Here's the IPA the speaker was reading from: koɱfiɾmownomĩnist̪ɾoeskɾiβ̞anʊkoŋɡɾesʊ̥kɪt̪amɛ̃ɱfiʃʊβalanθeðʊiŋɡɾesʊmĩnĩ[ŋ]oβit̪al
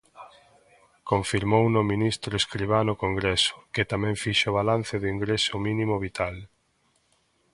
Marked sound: incorrect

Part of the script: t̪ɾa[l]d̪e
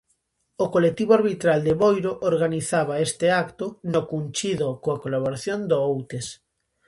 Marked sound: correct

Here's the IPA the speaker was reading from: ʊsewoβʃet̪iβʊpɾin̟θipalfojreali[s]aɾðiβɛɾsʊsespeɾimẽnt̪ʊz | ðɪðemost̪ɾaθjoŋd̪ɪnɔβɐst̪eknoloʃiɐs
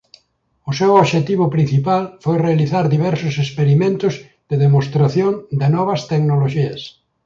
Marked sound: incorrect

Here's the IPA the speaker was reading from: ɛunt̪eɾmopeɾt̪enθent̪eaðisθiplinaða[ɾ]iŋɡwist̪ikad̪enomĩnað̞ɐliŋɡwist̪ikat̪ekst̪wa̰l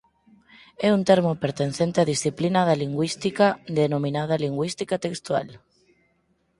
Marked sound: incorrect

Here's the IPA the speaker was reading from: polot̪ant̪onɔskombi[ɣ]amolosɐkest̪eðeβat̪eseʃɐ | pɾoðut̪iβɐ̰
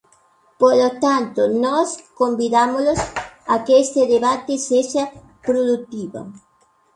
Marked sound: incorrect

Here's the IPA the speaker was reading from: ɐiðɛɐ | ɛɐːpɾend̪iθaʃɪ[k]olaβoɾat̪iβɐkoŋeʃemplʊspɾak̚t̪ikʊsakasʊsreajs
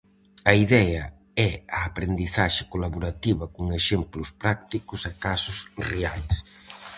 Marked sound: correct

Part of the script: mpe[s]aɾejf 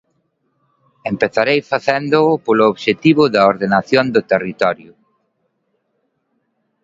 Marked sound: incorrect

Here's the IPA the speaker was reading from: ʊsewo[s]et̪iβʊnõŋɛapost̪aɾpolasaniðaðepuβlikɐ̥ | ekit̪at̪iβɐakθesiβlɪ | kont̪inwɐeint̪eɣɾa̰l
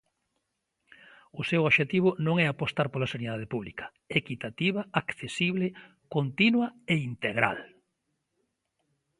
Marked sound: incorrect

